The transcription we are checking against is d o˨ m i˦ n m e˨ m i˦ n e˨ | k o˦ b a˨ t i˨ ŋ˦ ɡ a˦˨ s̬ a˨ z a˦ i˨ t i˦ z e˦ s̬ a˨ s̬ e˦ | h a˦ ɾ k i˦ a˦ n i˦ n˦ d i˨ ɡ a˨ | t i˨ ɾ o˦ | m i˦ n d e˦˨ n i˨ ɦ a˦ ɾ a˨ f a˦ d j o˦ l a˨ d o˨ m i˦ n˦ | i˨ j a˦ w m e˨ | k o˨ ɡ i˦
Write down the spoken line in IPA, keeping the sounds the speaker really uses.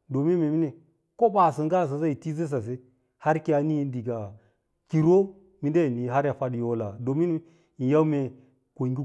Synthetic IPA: d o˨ m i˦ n m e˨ m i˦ n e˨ | k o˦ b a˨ s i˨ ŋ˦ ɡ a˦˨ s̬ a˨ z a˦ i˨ t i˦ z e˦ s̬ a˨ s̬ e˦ | h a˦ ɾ k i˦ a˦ n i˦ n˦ d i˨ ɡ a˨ | k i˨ ɾ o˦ | m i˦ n d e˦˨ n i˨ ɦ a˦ ɾ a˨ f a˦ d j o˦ l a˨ d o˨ m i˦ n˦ | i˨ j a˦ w m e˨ | k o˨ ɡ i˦

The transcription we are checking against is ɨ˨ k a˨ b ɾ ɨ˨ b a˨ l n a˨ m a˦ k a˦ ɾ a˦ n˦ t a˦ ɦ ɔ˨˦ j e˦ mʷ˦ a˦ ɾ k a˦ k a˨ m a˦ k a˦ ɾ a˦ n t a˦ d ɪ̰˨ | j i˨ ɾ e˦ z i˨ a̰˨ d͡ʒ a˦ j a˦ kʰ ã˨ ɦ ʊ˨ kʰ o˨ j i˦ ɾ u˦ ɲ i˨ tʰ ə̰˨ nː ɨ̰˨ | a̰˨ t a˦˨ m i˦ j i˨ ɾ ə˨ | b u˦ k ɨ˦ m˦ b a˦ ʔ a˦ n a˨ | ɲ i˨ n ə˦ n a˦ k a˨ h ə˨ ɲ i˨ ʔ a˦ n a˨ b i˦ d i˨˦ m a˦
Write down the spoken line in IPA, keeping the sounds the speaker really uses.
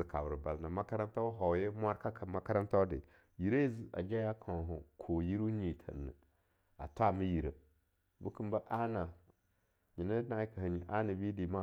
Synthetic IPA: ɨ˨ k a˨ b ɾ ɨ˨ b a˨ l n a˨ m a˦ k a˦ ɾ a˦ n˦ t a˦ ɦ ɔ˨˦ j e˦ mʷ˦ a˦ ɾ k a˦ k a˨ m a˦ k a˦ ɾ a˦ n t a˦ d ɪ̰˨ | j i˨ ɾ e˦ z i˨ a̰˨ d͡ʒ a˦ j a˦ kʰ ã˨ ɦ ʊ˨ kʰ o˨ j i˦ ɾ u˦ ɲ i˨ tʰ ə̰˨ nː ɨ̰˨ | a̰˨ t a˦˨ m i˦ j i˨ ɾ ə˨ | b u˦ k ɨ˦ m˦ b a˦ ʔ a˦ n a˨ | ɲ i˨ n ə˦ n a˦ k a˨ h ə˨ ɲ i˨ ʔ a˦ n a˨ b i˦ d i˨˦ m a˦

